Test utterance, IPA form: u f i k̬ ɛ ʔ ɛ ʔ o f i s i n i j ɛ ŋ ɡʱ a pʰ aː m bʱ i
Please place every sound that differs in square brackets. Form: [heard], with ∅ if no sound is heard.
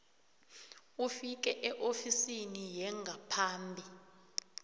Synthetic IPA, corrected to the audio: u f i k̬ ɛ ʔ ɛ ʔ o f i s i n i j ɛ ŋ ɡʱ a pʰ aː m bʱ i